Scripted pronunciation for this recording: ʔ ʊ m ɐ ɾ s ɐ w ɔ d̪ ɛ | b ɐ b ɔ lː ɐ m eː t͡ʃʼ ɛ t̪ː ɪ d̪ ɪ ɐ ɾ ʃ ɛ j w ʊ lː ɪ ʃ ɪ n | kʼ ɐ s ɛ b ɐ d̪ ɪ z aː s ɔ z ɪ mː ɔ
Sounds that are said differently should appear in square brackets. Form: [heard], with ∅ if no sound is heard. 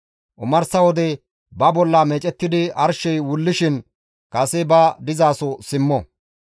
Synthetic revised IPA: ʔ ʊ m ɐ ɾ s ɐ w ɔ d̪ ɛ | b ɐ b ɔ lː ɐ m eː t͡ʃʼ ɛ t̪ː ɪ d̪ ɪ ɐ ɾ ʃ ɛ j w ʊ lː ɪ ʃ ɪ n | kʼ ɐ s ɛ b ɐ d̪ ɪ z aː s ɔ [s] ɪ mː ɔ